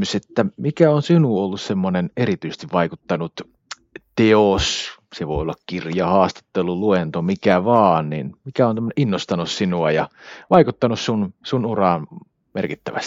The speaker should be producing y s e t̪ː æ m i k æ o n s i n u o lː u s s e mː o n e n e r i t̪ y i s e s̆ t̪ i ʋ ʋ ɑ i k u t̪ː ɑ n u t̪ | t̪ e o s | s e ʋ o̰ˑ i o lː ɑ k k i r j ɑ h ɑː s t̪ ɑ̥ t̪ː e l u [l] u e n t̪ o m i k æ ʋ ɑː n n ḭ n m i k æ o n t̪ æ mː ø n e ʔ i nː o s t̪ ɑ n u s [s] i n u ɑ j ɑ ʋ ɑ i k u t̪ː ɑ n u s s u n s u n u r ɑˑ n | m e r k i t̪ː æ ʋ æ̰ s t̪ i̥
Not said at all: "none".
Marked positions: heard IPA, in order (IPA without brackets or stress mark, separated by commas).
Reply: l, s